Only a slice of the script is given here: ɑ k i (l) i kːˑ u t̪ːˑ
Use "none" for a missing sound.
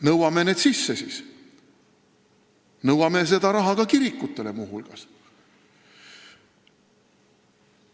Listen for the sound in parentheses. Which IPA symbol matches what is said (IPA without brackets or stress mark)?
ɾ